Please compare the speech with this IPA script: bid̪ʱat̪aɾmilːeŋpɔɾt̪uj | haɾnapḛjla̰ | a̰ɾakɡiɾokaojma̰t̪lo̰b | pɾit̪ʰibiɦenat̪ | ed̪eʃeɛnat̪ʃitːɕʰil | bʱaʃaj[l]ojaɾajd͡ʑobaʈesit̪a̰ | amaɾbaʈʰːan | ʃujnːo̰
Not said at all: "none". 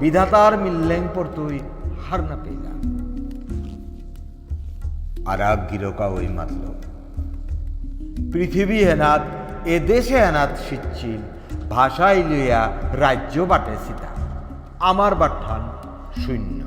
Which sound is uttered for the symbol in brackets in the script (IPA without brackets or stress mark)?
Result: l